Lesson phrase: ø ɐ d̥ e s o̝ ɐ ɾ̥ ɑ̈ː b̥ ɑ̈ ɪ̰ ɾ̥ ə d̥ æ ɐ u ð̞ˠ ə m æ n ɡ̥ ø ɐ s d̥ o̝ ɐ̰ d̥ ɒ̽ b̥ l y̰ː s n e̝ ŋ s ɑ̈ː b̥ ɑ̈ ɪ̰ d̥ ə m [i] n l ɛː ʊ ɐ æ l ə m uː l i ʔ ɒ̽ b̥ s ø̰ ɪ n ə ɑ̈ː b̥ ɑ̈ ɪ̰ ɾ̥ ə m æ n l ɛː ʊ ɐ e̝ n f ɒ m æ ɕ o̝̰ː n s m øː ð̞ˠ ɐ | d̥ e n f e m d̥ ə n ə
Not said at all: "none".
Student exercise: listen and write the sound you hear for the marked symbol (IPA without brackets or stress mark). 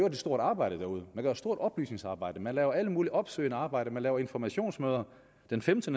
æ